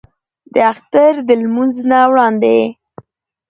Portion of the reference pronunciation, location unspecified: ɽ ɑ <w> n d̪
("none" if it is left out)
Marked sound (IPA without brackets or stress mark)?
none